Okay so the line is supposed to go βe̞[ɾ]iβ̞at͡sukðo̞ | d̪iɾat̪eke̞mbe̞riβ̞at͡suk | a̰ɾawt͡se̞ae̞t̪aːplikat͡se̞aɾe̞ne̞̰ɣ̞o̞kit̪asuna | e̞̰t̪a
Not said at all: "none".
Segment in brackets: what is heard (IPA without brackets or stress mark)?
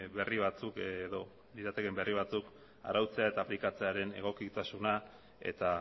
r